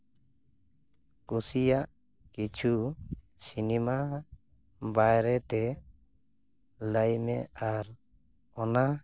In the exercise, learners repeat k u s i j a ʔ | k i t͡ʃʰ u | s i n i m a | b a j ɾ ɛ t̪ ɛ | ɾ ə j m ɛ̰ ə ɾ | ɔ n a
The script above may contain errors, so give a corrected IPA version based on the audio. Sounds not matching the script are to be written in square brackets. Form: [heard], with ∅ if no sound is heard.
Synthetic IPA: k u s i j a ʔ | k i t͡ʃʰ u | s i n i m a | b a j ɾ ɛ t̪ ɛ | [l] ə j m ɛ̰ [a] ɾ | ɔ n a